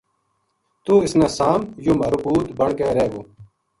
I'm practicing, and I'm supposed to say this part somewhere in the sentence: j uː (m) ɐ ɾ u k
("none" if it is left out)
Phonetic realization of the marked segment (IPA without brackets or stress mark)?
m